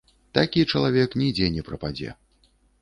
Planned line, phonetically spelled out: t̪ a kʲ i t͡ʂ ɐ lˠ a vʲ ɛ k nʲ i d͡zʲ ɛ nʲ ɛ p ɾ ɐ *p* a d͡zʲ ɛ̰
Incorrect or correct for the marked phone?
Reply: correct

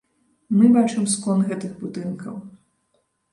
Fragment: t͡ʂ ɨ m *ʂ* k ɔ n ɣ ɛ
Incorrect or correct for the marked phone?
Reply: incorrect: s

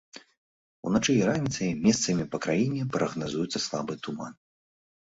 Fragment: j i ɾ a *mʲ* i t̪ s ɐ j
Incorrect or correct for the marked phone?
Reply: incorrect: nʲ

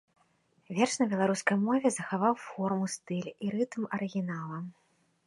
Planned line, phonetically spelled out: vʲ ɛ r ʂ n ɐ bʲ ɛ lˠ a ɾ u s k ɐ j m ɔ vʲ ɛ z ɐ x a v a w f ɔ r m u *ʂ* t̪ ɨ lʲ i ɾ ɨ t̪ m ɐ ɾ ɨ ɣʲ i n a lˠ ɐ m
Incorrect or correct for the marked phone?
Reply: incorrect: s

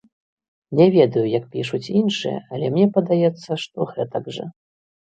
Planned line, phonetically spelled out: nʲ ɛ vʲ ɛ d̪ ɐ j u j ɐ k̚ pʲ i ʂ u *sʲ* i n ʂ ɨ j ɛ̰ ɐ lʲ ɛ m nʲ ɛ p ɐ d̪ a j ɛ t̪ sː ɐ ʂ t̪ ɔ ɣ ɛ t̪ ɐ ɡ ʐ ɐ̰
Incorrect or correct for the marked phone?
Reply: incorrect: t͡sʲ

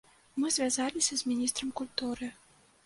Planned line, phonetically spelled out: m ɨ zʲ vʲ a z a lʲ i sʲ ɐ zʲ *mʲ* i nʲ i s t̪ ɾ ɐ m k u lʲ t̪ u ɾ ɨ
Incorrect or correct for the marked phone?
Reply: correct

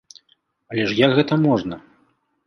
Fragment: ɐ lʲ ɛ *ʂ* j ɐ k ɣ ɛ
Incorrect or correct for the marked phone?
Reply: correct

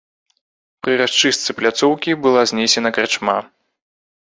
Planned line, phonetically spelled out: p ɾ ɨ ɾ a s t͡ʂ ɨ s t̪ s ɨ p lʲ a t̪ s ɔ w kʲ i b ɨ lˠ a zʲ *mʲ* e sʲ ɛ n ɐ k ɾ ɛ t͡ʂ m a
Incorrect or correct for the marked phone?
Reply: incorrect: nʲ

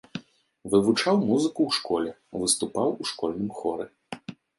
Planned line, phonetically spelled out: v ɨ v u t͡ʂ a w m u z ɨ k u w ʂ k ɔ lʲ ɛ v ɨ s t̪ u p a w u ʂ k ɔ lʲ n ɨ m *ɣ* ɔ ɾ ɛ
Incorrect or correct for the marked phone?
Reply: incorrect: x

